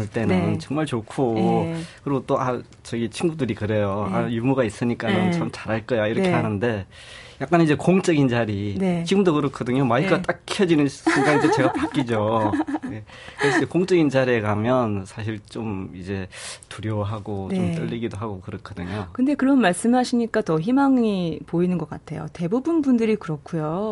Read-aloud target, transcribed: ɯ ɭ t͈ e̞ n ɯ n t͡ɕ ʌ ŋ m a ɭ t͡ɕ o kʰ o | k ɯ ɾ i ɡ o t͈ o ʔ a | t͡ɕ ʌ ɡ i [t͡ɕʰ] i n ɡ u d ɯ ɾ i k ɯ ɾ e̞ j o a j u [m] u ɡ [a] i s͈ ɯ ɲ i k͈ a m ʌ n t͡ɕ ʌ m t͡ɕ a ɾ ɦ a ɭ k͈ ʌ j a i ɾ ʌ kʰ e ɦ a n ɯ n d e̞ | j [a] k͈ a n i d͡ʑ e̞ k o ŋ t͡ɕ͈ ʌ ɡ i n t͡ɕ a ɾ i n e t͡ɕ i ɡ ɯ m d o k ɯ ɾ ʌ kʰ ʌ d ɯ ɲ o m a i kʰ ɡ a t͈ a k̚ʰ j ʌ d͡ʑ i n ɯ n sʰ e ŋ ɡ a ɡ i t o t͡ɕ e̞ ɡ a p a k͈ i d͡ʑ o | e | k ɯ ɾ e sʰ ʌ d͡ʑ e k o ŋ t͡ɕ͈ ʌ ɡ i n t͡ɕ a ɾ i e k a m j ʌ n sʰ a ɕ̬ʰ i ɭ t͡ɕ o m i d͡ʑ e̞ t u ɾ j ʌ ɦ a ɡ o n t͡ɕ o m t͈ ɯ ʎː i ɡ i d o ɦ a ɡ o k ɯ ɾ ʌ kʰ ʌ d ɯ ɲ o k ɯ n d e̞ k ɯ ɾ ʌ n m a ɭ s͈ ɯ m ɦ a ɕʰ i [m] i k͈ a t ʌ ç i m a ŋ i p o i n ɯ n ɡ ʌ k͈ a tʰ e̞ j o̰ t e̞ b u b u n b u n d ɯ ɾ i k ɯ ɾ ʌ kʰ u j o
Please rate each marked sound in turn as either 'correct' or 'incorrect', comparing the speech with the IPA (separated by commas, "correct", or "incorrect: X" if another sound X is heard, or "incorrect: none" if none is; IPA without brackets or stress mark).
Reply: correct, correct, correct, correct, incorrect: ɲ